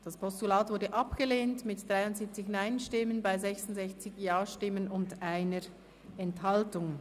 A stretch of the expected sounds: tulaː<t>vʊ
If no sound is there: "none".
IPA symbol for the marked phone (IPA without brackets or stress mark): t